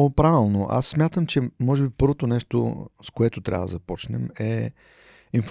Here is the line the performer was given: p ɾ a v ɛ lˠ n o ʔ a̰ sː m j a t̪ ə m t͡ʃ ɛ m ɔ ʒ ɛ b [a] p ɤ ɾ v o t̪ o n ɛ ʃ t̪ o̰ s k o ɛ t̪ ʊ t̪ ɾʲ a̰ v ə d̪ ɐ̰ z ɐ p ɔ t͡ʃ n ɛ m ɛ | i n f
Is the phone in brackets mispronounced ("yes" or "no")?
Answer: yes